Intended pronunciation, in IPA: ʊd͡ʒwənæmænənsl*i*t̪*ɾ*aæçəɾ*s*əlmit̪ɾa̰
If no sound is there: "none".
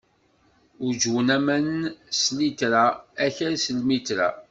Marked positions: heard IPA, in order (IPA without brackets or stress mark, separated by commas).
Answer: i, ɾ, s